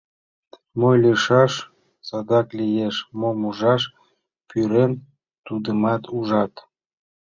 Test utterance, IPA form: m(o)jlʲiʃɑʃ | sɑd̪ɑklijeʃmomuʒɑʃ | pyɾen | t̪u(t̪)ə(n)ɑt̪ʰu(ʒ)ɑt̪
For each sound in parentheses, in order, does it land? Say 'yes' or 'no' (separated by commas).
yes, no, no, yes